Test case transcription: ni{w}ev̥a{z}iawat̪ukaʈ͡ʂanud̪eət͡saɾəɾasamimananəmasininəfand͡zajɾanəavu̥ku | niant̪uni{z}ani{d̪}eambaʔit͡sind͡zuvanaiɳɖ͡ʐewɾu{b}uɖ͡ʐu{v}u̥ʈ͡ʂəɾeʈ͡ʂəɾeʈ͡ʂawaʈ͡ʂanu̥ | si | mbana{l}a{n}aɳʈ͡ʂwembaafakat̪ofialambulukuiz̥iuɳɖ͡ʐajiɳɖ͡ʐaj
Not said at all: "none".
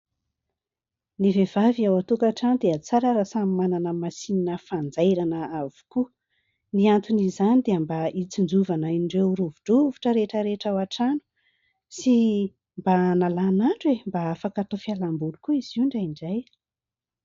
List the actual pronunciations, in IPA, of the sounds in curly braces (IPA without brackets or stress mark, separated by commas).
v, v, z, d̪, v, v, l, n